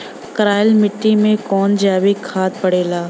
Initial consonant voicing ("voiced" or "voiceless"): voiceless